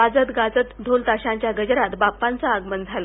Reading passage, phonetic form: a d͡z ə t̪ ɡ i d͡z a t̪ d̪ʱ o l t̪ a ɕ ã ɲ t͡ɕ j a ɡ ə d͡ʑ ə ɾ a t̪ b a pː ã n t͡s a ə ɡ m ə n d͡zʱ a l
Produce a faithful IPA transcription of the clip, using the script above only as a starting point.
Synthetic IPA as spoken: a d͡z ə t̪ ɡ a d͡z ə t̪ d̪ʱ o l t̪ a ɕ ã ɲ t͡ɕ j a ɡ ə d͡ʑ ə ɾ a t̪ b a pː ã n t͡s a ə ɡ m ə n d͡zʱ a l